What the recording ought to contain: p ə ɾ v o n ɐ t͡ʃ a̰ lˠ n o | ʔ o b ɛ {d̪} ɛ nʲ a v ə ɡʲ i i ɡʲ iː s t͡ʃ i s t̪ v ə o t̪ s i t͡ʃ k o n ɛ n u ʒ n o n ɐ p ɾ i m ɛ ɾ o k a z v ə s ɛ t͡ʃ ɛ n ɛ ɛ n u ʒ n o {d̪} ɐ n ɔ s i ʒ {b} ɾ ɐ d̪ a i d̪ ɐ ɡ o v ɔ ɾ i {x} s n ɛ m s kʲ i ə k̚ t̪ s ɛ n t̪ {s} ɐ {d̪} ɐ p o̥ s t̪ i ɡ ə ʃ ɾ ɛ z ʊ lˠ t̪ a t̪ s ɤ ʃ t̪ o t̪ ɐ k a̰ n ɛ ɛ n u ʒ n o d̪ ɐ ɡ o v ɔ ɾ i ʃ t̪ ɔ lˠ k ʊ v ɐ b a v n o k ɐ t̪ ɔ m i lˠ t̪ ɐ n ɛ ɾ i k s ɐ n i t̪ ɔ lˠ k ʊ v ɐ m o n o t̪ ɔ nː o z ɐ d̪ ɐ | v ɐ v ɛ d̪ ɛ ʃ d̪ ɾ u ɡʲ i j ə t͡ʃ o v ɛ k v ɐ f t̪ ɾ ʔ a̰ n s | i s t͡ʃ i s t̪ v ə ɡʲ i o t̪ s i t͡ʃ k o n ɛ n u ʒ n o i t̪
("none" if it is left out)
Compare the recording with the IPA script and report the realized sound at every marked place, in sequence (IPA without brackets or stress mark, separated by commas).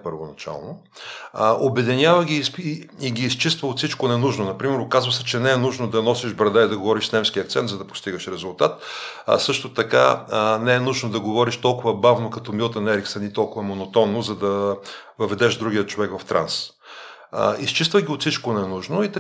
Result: d̪, d̪, b, ʃ, z, d̪